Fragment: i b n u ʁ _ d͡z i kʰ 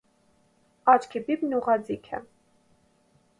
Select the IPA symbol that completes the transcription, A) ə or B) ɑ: B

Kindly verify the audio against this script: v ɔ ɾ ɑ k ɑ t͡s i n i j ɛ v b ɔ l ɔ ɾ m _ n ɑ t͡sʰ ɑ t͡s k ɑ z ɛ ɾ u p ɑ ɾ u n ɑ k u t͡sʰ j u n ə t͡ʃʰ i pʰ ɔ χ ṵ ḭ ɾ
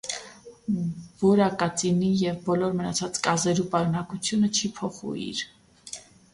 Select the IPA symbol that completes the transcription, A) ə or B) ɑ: A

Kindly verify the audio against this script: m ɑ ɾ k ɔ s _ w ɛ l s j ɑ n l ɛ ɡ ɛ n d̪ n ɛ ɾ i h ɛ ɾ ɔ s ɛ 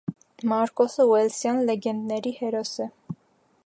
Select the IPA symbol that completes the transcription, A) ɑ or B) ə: B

